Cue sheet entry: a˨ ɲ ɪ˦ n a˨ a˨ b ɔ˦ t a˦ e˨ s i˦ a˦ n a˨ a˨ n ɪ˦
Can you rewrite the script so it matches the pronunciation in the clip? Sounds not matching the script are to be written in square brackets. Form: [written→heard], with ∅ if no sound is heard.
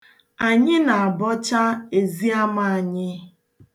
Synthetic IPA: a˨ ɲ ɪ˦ n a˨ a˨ b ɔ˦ [t→t͡ʃ] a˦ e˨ [s→z] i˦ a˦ [n→m] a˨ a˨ [n→ɲ] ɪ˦